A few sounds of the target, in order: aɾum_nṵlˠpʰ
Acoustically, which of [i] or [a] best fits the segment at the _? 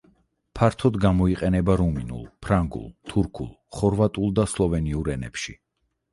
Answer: i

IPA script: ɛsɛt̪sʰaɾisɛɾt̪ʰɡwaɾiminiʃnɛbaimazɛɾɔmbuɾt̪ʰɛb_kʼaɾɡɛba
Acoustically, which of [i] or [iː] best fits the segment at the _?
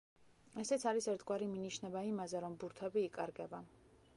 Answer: iː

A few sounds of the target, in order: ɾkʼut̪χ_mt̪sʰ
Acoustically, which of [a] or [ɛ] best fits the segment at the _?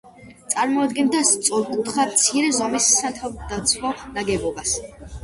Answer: a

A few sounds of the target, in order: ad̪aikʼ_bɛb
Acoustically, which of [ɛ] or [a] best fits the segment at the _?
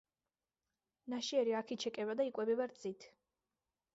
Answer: ɛ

